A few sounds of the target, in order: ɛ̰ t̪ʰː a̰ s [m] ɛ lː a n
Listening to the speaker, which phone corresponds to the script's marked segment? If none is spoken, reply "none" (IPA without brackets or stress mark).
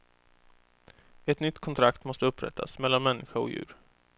m